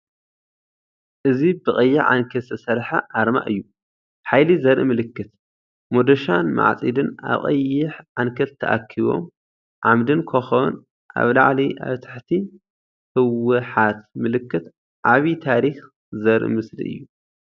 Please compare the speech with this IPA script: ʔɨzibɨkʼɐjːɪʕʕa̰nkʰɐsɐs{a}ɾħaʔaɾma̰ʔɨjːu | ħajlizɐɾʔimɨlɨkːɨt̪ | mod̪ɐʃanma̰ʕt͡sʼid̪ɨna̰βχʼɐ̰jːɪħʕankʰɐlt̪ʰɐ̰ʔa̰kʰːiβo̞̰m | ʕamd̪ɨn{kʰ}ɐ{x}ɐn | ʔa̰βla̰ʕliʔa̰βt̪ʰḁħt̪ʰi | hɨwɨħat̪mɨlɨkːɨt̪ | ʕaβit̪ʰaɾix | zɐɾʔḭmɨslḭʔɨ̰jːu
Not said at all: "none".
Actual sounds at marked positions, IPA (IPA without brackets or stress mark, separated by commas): ɐ, kʰ, x